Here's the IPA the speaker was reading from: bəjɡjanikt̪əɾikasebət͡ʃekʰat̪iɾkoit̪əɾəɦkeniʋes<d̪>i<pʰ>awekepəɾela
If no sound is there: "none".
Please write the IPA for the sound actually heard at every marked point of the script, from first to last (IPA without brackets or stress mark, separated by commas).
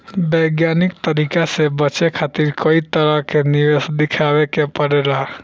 d̪, kʰ